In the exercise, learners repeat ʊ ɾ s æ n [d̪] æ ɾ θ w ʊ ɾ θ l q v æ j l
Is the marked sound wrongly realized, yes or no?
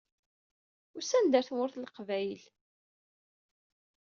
no